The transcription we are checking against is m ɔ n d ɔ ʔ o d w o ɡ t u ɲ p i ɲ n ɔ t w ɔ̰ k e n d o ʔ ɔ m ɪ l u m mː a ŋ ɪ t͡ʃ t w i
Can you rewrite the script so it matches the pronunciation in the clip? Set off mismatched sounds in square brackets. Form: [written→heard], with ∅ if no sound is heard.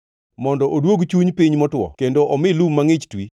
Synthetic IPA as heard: m ɔ n d ɔ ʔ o d w o ɡ [t→t͡ʃ] u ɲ p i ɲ [n→m] ɔ t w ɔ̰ k e n d o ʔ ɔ m ɪ l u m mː a ŋ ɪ t͡ʃ t w i